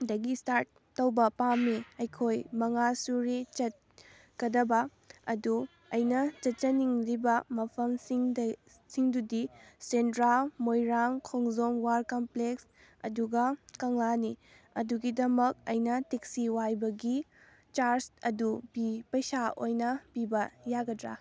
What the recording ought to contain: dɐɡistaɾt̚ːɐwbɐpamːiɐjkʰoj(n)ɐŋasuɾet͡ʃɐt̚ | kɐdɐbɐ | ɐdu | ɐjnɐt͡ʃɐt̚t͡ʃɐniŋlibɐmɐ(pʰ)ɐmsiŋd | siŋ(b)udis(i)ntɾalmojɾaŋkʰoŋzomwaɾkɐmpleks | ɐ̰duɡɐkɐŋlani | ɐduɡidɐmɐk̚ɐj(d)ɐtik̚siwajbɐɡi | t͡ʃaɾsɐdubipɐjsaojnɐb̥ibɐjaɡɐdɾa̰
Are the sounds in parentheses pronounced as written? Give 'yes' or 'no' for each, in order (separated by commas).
no, yes, no, no, no